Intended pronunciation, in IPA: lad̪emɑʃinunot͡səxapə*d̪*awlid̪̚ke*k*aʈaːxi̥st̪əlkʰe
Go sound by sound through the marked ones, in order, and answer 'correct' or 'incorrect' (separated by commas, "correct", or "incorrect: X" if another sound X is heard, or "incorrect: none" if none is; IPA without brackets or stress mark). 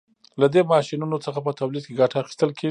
incorrect: t̪, incorrect: ɡ